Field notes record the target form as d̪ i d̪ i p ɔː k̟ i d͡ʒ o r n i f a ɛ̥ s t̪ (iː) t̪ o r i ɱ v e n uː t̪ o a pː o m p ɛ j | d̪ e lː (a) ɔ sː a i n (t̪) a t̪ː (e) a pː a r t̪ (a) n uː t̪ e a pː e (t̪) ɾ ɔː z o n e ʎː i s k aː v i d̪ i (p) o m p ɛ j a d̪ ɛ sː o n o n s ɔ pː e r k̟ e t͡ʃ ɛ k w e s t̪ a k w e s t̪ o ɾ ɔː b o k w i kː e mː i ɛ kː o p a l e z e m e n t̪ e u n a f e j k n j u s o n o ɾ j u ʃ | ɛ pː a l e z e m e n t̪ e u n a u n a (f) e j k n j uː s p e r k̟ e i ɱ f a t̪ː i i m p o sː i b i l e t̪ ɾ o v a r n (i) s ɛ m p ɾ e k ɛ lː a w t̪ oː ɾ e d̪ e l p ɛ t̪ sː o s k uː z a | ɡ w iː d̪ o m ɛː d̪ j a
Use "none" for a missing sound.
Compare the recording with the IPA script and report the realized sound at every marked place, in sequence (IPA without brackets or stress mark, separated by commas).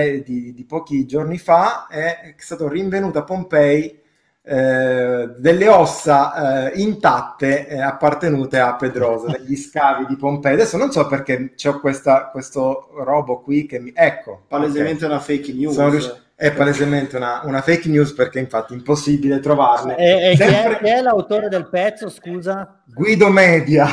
aː, e, t̪, e, e, d̪, p, f, e